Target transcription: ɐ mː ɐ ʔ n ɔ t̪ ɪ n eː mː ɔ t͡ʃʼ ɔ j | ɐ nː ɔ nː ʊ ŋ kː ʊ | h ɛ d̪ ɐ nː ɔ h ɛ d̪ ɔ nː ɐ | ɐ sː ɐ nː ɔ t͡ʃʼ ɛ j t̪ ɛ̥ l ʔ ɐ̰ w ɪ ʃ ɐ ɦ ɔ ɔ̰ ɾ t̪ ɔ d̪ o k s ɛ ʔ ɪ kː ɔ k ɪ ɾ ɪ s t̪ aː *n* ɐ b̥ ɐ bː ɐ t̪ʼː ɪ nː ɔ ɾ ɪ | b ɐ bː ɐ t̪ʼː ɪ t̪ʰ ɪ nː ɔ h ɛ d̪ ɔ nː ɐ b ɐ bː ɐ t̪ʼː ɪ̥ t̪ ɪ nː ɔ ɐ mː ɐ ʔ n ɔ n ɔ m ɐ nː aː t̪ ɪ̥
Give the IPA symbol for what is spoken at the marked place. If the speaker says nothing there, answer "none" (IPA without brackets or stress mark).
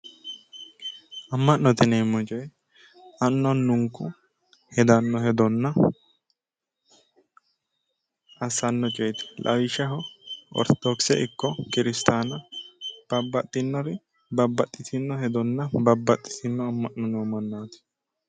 n